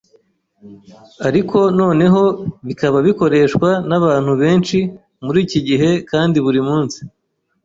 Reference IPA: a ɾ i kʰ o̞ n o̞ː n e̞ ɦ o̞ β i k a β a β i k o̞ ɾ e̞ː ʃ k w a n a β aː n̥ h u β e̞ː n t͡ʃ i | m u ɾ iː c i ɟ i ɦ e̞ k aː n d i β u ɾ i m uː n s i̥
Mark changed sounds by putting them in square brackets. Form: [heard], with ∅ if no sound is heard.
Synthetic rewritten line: a ɾ i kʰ o̞ n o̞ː n e̞ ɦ o̞ β i k a β a β i k o̞ ɾ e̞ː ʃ k w a n a β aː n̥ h u β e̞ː n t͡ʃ i | m u ɾ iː c i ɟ i ɦ e̞ k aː n d i β u ɾ i m uː n s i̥